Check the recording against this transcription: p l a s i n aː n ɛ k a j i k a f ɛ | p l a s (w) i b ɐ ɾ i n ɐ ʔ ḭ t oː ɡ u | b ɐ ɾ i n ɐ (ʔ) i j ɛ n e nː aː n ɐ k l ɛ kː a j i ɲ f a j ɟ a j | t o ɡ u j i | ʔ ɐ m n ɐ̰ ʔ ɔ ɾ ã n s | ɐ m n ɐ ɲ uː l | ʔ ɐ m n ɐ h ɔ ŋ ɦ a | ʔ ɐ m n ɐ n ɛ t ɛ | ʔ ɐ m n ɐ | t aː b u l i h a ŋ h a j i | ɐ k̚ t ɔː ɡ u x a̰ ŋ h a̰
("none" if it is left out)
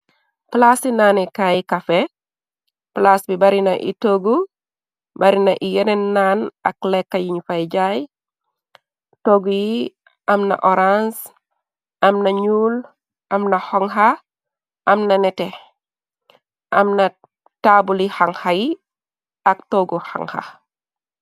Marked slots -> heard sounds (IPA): b, ʔ

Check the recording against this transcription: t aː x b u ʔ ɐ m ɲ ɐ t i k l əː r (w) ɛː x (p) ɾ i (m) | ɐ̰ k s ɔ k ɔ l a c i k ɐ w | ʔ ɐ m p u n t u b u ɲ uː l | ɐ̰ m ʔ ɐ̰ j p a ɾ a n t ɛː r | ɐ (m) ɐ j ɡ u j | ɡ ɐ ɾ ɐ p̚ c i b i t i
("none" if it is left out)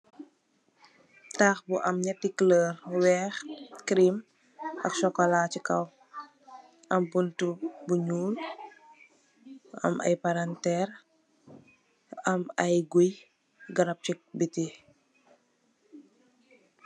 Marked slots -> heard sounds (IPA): w, k, m, m

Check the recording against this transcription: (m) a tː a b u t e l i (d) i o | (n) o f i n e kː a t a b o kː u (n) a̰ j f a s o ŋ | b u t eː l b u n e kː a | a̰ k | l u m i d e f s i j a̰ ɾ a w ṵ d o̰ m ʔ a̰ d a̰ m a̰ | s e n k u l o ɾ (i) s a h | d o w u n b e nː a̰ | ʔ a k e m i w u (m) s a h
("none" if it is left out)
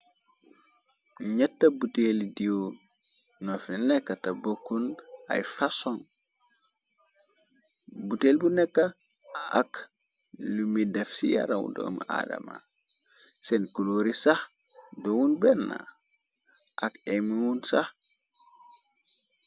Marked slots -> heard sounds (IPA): ɲ, d, n, n, i, n

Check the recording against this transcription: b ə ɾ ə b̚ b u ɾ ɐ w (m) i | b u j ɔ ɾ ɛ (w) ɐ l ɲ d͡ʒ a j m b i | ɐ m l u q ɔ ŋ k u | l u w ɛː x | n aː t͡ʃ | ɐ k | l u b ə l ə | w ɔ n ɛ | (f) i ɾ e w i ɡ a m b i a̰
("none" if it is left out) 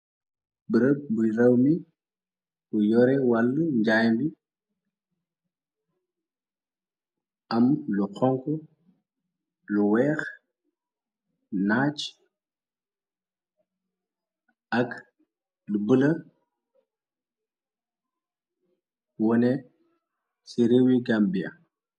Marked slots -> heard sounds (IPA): m, w, s

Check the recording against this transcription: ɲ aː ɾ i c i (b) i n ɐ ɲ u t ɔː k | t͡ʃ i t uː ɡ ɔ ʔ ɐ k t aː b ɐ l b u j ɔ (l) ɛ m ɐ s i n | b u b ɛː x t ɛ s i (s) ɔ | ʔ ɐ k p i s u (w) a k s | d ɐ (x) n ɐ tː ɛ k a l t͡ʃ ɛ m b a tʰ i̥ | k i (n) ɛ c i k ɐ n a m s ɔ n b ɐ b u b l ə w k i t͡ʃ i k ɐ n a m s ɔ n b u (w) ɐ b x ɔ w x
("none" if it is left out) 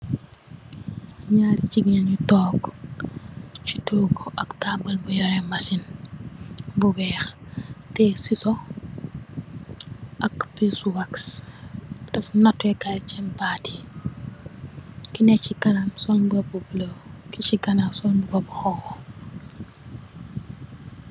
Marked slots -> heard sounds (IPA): ɡ, ɾ, s, w, f, n, b

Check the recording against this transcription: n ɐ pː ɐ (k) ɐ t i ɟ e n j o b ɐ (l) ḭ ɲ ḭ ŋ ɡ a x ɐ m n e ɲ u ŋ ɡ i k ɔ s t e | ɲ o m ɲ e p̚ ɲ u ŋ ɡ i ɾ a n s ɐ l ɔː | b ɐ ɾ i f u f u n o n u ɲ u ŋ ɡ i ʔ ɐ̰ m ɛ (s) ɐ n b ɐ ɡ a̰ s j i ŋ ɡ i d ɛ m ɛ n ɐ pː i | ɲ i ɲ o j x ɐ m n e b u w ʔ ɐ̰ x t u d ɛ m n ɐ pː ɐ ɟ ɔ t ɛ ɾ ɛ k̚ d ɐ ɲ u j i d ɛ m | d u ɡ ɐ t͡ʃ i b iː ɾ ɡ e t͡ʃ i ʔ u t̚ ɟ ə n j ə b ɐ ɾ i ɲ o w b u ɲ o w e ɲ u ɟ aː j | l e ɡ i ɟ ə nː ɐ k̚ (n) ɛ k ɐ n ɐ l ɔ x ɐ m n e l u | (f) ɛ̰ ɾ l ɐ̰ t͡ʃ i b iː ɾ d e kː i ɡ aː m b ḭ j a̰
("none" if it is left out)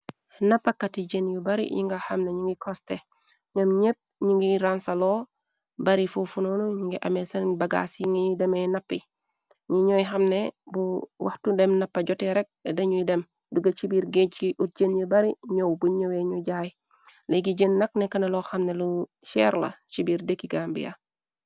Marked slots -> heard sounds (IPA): k, ɾ, s, n, ʃ

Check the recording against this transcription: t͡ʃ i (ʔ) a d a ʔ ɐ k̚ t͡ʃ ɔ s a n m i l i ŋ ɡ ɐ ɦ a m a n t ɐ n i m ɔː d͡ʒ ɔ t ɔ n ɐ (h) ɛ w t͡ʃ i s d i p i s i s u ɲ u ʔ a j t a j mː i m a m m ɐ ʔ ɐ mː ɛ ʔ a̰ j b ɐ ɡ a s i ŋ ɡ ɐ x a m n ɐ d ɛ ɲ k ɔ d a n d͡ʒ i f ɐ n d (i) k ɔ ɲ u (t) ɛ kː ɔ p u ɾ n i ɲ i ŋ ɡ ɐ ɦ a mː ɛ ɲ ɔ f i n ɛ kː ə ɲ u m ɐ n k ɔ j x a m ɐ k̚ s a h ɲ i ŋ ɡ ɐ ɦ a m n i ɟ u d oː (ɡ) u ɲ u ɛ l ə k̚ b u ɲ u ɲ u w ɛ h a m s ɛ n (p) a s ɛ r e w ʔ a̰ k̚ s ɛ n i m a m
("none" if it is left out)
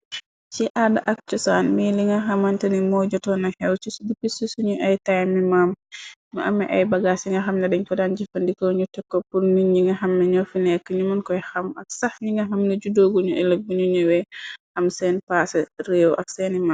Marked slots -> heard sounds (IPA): ʔ, h, i, t, ɡ, p

